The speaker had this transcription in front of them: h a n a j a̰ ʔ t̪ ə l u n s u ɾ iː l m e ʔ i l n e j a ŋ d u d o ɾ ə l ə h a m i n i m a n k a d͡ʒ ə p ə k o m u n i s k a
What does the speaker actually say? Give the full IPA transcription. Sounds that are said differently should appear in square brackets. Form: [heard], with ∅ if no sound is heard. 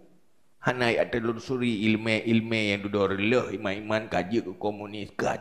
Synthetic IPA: h a n a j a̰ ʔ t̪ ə l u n s u ɾ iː l m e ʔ i l [m] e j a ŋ d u d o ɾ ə l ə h [i] m [a] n i m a n k a d͡ʒ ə [k] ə k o m u n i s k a

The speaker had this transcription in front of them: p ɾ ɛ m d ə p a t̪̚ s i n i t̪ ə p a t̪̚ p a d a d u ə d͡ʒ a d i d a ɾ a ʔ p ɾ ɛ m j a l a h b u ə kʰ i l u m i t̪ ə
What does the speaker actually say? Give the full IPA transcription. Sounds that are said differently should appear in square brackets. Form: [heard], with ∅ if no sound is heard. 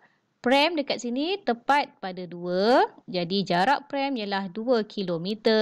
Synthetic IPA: p ɾ ɛ m d ə [k] a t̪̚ s i n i t̪ ə p a t̪̚ p a d a d u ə d͡ʒ a d i [d͡ʒ] a ɾ a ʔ p ɾ ɛ m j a l a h [d] u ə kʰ i l [o] m i t̪ ə

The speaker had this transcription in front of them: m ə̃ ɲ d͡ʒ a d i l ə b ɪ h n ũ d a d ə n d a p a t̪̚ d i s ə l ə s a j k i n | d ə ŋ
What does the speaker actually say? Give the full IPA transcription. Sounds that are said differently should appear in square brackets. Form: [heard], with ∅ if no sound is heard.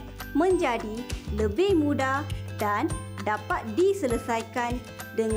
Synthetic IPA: m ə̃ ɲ d͡ʒ a d i l ə b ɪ h [m] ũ d a d [a] n d a p a t̪̚ d i s ə l ə s a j k [a] n | d ə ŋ

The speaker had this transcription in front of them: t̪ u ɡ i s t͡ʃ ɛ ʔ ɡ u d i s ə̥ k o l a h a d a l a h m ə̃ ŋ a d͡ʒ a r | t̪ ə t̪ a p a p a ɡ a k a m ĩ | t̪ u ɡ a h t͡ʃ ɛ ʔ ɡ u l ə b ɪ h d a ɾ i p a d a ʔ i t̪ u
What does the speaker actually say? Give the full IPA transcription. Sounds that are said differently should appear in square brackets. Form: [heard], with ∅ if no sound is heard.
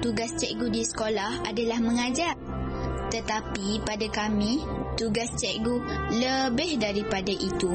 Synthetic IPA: t̪ u ɡ [a] s t͡ʃ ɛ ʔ ɡ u d i s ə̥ k o l a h a d a l a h m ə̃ ŋ a d͡ʒ a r | t̪ ə t̪ a p [i] p a [d] a k a m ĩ | t̪ u ɡ a [s] t͡ʃ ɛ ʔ ɡ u l ə b ɪ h d a ɾ i p a d a ʔ i t̪ u

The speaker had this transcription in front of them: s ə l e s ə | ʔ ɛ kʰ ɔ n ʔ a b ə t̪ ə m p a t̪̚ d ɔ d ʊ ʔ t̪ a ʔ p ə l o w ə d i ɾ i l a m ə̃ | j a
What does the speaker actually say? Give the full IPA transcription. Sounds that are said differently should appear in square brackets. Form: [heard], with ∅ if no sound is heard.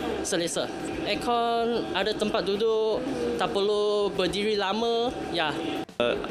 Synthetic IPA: s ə l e s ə | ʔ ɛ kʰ ɔ n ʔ a [d] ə t̪ ə m p a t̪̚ d [u] d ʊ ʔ t̪ a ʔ p ə l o [b] ə d i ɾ i l a m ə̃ | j a

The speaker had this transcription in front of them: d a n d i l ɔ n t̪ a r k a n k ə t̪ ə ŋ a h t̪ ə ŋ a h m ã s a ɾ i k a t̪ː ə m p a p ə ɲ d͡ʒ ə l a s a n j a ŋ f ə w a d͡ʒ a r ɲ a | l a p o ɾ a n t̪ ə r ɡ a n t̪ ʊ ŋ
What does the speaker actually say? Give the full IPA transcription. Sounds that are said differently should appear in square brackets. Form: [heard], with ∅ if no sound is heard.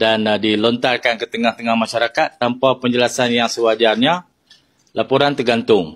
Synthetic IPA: d a n d i l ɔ n t̪ a r k a n k ə t̪ ə ŋ a h t̪ ə ŋ a h m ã [ʃ] a ɾ [a] k a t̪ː [a] m p a p ə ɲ d͡ʒ ə l a s a n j a ŋ [s] ə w a d͡ʒ a r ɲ a | l a p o ɾ a n t̪ ə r ɡ a n t̪ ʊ ŋ

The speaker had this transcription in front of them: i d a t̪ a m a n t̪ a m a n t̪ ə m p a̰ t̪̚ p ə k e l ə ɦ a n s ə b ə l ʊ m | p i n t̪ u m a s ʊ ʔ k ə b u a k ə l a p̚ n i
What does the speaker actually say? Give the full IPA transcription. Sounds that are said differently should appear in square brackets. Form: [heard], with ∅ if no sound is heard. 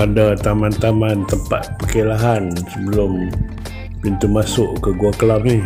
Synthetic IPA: [a] d a t̪ a m a n t̪ a m a n t̪ ə m p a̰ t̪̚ p ə k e l [a] ɦ a n s ə b ə l ʊ m | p i n t̪ u m a s ʊ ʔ k ə [ɡ] u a k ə l a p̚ n i

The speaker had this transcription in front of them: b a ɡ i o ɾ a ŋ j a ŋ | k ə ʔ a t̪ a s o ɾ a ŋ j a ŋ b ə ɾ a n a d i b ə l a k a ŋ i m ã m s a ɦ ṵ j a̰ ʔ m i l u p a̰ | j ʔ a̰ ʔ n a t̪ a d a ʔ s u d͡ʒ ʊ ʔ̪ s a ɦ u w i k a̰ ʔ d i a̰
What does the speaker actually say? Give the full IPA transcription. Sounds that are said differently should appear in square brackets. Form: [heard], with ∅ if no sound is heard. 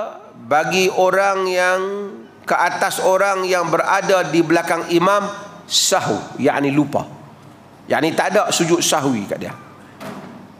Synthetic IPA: b a ɡ i o ɾ a ŋ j a ŋ | k ə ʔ a t̪ a s o ɾ a ŋ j a ŋ b ə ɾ a [d] a d i b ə l a k a ŋ i m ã m s a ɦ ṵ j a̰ ʔ [n] i l u p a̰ | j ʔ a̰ ʔ n [i] t̪ a d a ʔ s u d͡ʒ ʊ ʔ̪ s a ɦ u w i k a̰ ʔ d i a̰

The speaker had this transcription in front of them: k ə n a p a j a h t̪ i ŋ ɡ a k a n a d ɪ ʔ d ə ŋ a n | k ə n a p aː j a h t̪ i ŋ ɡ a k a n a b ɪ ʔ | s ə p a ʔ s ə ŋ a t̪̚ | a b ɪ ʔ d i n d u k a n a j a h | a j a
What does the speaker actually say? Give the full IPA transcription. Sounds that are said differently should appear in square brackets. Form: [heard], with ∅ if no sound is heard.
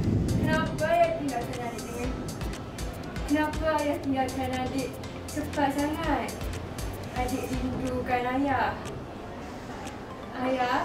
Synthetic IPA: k ə n a p a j a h t̪ i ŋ ɡ a k a n a d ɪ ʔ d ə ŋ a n | k ə n a p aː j a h t̪ i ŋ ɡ a k a n a [d] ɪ ʔ | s ə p a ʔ s [a] ŋ a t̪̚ | a [d] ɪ ʔ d i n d u k a n a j a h | a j a

